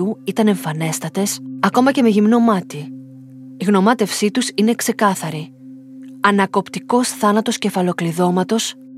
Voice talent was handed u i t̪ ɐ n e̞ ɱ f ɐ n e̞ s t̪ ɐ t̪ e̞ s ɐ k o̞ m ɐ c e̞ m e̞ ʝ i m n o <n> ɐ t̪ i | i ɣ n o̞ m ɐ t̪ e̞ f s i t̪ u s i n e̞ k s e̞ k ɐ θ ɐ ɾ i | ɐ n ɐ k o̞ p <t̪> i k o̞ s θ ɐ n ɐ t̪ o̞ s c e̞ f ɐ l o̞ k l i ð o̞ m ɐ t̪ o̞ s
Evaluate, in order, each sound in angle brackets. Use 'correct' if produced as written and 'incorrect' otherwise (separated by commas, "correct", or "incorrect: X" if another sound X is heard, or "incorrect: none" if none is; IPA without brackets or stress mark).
incorrect: m, correct